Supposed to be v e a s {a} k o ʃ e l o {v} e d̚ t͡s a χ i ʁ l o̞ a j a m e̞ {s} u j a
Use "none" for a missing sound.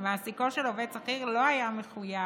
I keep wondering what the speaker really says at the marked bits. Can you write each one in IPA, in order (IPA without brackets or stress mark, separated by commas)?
i, v, χ